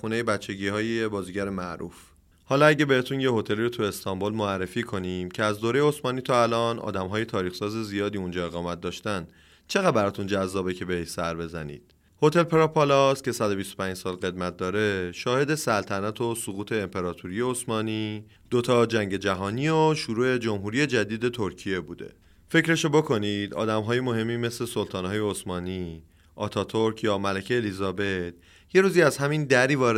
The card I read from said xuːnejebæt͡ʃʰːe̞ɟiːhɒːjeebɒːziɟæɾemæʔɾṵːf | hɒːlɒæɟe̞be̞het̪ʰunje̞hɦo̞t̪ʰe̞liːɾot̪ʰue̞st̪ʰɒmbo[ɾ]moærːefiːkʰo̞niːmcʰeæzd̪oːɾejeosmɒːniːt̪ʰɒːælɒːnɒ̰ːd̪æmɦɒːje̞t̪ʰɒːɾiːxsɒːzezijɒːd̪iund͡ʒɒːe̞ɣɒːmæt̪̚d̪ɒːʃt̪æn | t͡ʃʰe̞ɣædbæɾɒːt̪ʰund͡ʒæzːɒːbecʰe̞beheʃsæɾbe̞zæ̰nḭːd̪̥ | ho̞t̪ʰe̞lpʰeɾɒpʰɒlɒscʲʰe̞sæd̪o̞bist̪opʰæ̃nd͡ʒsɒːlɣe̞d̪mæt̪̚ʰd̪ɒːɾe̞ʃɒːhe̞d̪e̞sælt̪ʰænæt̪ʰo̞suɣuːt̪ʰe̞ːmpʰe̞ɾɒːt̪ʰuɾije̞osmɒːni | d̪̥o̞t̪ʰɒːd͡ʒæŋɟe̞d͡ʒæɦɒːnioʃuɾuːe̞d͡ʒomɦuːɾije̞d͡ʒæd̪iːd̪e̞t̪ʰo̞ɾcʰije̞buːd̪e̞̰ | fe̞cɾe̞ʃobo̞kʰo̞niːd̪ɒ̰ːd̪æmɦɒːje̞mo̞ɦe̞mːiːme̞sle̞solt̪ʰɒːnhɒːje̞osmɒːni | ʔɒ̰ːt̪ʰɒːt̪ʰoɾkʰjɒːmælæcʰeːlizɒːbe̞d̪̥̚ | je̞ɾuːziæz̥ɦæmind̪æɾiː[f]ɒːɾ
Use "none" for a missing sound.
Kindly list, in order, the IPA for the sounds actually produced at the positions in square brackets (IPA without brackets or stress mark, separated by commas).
l, v